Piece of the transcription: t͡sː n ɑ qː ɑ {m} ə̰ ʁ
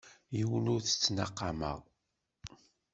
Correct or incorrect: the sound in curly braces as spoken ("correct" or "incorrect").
correct